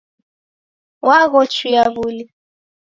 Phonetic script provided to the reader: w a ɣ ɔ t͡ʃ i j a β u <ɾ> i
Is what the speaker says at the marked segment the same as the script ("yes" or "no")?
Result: no